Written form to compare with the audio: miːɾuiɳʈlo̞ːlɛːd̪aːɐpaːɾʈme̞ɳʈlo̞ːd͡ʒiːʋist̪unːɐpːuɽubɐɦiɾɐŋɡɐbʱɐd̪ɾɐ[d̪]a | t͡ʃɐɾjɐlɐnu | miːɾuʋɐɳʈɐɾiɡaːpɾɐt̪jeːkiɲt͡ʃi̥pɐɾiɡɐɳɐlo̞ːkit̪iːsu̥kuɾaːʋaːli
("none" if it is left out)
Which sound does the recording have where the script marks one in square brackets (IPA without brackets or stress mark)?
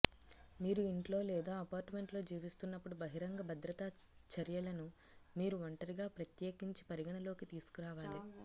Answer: t̪